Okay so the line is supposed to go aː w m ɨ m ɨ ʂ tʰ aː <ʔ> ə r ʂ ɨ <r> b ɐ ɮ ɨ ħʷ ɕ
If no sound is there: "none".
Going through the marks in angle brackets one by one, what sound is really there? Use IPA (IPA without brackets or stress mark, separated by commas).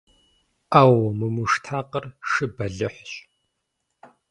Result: q, none